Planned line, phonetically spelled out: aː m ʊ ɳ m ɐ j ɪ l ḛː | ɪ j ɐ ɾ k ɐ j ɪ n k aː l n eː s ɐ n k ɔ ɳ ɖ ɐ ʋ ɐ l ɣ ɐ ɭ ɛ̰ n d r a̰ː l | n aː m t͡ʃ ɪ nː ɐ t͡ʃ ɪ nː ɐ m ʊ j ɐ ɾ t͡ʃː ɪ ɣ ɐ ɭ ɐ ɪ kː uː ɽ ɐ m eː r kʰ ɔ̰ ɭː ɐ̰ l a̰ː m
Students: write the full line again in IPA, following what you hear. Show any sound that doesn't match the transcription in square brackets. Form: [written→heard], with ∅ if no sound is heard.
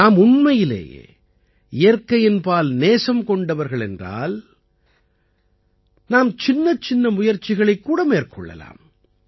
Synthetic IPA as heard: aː m ʊ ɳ m ɐ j ɪ l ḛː | ɪ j ɐ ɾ k ɐ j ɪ n [k→p] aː l n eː s ɐ [n→m] k ɔ ɳ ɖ ɐ ʋ ɐ [l→ɾ] ɣ ɐ ɭ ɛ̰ n d r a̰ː l | n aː m t͡ʃ ɪ nː ɐ t͡ʃ ɪ nː ɐ m ʊ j ɐ ɾ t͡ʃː ɪ ɣ ɐ ɭ ɐ ɪ kː uː ɽ ɐ m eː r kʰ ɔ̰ ɭː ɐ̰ l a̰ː m